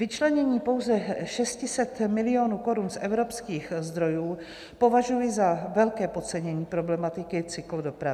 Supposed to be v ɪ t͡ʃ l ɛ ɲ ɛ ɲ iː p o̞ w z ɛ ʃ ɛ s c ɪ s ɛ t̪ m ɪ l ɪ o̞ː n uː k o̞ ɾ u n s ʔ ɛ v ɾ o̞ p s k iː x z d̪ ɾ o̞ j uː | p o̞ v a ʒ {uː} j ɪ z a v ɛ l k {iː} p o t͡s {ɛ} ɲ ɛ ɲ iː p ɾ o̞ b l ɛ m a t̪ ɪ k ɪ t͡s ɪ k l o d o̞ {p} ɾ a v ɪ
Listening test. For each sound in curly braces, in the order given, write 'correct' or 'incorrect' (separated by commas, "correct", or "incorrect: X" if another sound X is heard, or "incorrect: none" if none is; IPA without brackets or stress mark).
incorrect: u, incorrect: ɛː, correct, correct